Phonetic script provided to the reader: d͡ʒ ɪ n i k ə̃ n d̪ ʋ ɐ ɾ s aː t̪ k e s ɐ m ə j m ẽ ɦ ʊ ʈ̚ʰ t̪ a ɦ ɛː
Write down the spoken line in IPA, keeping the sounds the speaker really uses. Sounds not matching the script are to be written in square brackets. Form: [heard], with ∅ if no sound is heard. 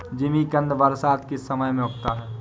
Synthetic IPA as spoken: d͡ʒ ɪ [m] i k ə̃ n d̪ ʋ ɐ ɾ s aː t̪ k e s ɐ m ə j m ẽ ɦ ʊ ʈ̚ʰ t̪ a ɦ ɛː